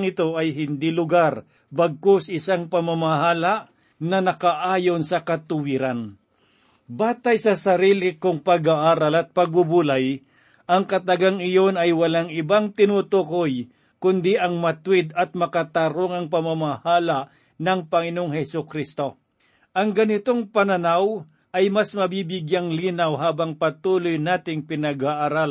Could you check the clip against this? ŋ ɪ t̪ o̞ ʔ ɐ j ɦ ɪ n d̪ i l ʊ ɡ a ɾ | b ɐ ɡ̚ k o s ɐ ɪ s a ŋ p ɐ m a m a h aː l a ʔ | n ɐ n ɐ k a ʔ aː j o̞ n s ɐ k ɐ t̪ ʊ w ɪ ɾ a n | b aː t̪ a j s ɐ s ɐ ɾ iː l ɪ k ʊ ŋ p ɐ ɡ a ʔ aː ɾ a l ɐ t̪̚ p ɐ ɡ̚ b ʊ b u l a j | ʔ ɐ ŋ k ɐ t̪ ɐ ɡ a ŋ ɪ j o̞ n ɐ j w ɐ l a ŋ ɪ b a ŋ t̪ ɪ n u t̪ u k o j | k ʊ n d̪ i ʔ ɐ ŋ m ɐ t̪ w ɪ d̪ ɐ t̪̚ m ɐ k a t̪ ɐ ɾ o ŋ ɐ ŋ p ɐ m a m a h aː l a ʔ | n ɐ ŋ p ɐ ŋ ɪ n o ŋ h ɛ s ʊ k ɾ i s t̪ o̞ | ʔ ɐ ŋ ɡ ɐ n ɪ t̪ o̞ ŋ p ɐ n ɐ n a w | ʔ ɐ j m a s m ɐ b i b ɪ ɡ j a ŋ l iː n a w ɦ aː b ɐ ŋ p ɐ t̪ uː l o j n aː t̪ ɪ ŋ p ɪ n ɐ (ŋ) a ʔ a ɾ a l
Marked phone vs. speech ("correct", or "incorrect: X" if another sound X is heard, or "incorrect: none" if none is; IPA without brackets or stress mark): incorrect: ɡ